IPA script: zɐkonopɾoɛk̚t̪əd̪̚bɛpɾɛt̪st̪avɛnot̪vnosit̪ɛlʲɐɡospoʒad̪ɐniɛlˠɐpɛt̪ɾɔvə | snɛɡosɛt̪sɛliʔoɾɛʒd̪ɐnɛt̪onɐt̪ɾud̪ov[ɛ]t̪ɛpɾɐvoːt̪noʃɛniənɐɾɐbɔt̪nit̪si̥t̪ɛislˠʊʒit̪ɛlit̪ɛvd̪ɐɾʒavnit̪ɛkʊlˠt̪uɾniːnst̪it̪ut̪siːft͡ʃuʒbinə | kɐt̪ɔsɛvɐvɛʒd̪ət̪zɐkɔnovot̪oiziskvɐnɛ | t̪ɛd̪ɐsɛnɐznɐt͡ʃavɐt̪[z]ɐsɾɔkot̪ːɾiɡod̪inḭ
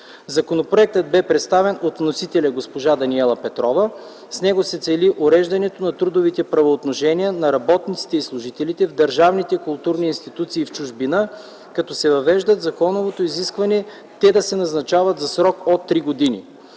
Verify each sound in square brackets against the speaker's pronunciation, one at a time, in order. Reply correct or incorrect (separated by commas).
incorrect, correct